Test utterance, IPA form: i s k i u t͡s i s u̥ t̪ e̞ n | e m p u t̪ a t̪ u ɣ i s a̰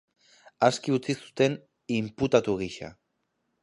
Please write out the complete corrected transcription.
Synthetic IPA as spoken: a s k i u t͡s i s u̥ t̪ e̞ n | i m p u t̪ a t̪ u ɣ i ʃ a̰